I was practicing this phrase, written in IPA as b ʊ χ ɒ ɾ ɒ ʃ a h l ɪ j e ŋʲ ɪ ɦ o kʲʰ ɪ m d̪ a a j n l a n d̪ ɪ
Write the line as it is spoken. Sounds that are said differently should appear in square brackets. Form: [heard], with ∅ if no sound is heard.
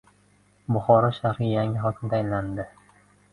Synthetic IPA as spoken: b ʊ χ ɒ ɾ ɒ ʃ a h [ɾ] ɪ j [a] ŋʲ ɪ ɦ [ɒ] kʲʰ ɪ m d̪ a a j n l a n d̪ ɪ